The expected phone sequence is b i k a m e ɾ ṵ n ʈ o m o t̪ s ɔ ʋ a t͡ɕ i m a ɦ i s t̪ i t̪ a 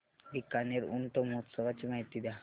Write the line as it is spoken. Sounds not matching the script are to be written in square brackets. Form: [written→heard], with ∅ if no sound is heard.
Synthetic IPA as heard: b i k a [m→n] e ɾ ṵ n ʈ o m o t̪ s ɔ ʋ a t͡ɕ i m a ɦ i [s→∅] t̪ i [t̪→d̪] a